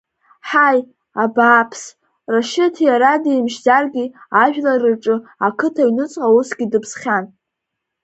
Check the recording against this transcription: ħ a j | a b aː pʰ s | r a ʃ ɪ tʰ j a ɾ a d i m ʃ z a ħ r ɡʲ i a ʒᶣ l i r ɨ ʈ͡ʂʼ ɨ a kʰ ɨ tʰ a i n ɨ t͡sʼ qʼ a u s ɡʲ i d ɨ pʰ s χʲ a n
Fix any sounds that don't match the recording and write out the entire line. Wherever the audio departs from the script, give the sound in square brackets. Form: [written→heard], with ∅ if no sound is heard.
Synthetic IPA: ħ a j | a b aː pʰ s | r a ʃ ɪ tʰ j a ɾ a d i m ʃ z a [ħ→∅] r ɡʲ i a ʒᶣ l [i→a] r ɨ ʈ͡ʂʼ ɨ a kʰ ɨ tʰ a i n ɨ t͡sʼ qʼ a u s ɡʲ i d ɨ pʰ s χʲ a n